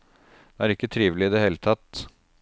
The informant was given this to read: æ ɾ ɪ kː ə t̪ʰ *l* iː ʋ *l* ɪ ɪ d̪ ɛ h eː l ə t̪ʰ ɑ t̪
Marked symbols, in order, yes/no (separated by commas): no, yes